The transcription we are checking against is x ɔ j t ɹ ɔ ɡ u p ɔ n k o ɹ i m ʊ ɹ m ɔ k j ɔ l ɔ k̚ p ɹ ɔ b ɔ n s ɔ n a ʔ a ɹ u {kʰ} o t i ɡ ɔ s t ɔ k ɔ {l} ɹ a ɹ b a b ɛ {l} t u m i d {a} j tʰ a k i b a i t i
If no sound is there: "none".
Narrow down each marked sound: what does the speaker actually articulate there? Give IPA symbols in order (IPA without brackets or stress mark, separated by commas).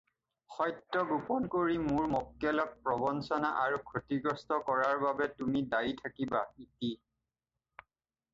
kʰ, none, none, a